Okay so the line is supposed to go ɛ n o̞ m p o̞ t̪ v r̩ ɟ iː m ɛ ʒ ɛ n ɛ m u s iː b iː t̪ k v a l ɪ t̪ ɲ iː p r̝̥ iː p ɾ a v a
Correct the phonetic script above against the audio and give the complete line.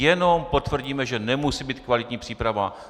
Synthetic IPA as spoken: ɛ n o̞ m p o̞ t̪ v r̩ ɟ iː m ɛ ʒ ɛ n ɛ m u s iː b iː t̪ k v a l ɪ t̪ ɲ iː p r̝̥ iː p ɾ a v a